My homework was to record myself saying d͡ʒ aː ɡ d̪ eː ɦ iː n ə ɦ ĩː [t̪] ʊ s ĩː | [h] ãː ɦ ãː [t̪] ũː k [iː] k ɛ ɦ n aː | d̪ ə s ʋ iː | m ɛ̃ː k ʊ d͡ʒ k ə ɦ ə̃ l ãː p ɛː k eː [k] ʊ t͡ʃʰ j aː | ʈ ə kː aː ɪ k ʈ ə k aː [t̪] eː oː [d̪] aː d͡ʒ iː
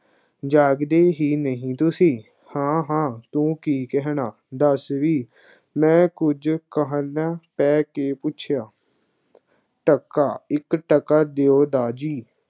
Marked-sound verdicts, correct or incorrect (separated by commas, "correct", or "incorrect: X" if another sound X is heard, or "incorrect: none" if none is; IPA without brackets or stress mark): correct, correct, correct, correct, incorrect: p, incorrect: d̪, correct